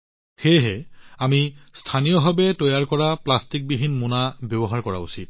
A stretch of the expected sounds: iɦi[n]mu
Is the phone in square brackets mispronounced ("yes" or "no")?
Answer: no